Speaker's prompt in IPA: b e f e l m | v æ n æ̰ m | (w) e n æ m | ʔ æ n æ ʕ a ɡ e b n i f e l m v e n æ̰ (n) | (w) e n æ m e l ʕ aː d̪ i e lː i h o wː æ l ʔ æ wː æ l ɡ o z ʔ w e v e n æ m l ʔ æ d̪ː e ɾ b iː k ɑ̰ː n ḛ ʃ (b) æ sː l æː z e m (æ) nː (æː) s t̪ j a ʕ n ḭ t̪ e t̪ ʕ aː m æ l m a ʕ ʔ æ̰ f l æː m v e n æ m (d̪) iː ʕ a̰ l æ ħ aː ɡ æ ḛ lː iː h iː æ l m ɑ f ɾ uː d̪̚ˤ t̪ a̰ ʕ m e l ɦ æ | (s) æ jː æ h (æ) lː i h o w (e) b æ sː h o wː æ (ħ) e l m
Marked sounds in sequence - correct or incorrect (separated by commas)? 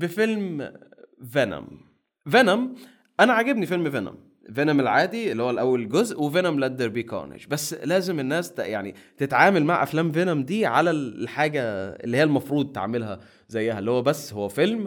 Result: incorrect, incorrect, incorrect, correct, incorrect, correct, correct, incorrect, correct, incorrect, incorrect